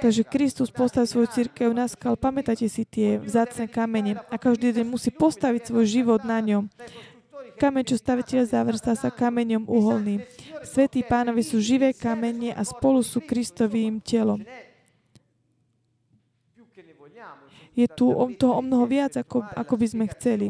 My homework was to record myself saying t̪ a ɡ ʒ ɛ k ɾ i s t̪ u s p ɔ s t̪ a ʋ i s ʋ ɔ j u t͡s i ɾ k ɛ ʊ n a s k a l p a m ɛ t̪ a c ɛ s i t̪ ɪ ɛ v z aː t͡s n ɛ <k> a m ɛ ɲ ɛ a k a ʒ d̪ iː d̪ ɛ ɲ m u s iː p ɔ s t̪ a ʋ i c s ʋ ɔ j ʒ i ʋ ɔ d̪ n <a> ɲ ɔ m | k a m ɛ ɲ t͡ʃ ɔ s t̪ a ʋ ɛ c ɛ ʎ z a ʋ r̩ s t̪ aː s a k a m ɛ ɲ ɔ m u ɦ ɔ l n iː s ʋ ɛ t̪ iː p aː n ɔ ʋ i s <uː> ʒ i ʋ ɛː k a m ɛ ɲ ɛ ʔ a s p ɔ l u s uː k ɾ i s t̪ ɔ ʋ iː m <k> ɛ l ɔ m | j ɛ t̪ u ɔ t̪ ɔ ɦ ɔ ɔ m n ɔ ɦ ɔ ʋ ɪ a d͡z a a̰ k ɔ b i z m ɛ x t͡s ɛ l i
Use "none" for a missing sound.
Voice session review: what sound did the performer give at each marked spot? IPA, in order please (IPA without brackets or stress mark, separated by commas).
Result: k, a, uː, c